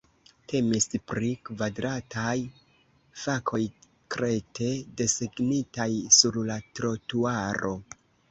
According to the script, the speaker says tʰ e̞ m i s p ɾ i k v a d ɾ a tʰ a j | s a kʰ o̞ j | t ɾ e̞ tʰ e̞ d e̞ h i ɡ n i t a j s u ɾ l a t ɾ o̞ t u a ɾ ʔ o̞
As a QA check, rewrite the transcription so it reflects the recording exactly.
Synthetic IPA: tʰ e̞ m i s p ɾ i k v a d ɾ a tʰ a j | f a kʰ o̞ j | k ɾ e̞ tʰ e̞ d e̞ s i ɡ n i t a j s u ɾ l a t ɾ o̞ t u a ɾ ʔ o̞